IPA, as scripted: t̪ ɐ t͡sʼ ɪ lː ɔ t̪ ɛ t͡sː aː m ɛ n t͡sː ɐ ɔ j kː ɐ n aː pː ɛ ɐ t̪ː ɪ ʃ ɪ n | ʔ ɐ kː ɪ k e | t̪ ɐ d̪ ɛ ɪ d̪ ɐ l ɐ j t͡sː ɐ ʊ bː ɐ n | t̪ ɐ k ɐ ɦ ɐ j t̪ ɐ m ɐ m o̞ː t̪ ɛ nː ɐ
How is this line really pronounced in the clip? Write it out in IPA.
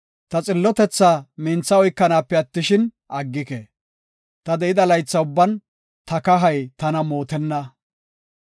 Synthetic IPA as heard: t̪ ɐ t͡sʼ ɪ lː ɔ t̪ ɛ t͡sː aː m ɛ n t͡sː ɐ ɔ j kː ɐ n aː pː ɛ ɐ t̪ː ɪ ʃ ɪ n | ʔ ɐ ɡː ɪ k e | t̪ ɐ d̪ ɛ ɪ d̪ ɐ l ɐ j t͡sː ɐ ʊ bː ɐ n | t̪ ɐ k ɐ ɦ ɐ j t̪ ɐ n ɐ m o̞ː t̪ ɛ nː ɐ